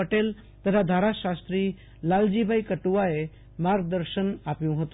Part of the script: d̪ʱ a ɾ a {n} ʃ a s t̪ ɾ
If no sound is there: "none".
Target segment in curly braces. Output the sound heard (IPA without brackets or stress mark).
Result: none